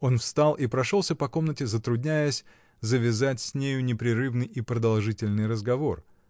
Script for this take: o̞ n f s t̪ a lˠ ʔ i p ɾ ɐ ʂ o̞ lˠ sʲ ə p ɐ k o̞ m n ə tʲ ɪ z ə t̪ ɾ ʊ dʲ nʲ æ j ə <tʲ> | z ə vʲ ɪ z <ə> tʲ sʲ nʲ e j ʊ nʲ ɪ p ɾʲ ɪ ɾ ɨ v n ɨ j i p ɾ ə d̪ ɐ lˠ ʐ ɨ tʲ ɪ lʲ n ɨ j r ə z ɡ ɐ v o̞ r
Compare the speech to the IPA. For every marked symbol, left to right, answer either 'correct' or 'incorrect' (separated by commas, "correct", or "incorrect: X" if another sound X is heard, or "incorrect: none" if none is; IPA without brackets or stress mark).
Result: incorrect: sʲ, incorrect: a